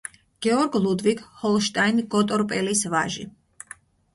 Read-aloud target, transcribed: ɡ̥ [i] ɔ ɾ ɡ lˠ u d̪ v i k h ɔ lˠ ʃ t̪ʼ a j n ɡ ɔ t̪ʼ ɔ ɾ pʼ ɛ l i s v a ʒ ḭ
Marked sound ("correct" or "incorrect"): incorrect